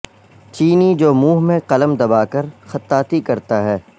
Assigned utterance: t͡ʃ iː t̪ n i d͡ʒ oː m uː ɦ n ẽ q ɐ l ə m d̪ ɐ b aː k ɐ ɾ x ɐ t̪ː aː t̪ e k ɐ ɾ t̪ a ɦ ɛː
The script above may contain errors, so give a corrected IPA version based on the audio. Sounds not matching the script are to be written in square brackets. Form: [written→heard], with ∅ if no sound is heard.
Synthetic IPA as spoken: t͡ʃ iː [t̪→∅] n i d͡ʒ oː m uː ɦ [n→m] ẽ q ɐ l ə m d̪ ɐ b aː k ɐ ɾ x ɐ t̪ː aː t̪ [e→i] k ɐ ɾ t̪ a ɦ ɛː